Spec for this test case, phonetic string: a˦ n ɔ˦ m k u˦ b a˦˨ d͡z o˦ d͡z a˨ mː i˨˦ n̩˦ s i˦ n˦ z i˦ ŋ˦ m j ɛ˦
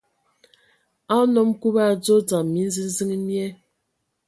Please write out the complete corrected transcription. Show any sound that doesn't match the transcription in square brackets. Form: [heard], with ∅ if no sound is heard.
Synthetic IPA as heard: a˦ n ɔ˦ m k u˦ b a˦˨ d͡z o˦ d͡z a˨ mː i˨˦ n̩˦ [z] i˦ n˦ z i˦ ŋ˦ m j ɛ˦